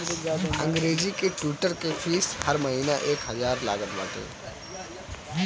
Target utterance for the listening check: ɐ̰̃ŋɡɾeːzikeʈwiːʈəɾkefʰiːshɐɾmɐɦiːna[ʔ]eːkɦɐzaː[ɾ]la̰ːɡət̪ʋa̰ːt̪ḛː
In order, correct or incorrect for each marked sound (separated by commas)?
correct, correct